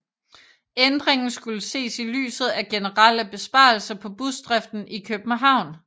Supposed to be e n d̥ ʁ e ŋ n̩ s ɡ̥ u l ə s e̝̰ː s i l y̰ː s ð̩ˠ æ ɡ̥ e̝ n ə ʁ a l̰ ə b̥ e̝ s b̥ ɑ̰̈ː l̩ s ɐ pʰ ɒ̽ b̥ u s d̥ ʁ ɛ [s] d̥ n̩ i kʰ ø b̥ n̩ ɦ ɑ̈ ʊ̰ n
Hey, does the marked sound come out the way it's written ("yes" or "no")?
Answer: no